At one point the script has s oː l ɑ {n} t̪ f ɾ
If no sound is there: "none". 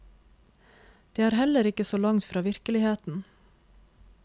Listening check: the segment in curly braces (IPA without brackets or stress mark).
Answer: ŋ